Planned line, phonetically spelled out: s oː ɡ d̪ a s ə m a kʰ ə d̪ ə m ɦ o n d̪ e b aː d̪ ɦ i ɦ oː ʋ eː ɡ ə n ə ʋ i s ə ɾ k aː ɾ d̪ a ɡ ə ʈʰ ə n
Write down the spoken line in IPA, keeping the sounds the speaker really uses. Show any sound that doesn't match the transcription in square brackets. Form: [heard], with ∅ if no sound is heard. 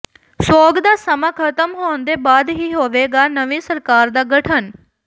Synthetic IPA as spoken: s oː ɡ d̪ a s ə m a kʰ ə [t̪] ə m ɦ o n d̪ e b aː d̪ ɦ i ɦ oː ʋ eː ɡ [a] n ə ʋ i s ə ɾ k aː ɾ d̪ a ɡ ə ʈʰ ə n

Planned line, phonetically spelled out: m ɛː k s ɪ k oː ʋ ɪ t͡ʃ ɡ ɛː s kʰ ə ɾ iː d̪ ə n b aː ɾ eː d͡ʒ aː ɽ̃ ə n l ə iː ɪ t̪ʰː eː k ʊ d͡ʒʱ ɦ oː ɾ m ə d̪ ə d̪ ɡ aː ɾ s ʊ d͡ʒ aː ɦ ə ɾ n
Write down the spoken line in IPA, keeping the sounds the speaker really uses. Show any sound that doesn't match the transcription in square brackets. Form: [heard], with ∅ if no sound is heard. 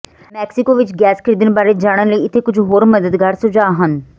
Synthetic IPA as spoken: m ɛː k s ɪ k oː ʋ ɪ t͡ʃ ɡ ɛː s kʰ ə ɾ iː d̪ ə n b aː ɾ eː d͡ʒ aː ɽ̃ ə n l ə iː ɪ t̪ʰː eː k ʊ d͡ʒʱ ɦ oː ɾ m ə d̪ ə d̪ ɡ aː ɾ s ʊ d͡ʒ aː ɦ ə [∅] n

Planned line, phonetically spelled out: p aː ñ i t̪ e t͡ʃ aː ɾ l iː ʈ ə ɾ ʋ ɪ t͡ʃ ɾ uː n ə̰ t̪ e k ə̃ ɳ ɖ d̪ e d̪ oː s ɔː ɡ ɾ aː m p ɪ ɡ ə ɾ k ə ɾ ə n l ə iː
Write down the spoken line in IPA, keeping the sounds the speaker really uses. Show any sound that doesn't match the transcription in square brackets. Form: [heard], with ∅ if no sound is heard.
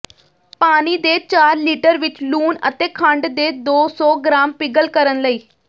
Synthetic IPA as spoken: p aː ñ i [d̪] e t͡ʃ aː ɾ l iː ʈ ə ɾ ʋ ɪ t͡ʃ [l] uː n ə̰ t̪ e [kʰ] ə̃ ɳ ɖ d̪ e d̪ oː s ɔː ɡ ɾ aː m p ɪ ɡ ə [l] k ə ɾ ə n l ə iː

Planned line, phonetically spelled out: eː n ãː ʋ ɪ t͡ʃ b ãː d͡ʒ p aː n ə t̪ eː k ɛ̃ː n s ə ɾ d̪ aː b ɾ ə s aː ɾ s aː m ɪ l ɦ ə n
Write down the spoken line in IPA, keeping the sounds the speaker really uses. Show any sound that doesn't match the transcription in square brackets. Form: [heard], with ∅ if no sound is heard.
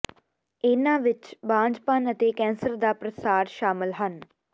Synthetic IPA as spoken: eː n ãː ʋ ɪ t͡ʃ b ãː d͡ʒ p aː n ə t̪ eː k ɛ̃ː n s ə ɾ d̪ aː [p] ɾ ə s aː ɾ [ʃ] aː m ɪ l ɦ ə n

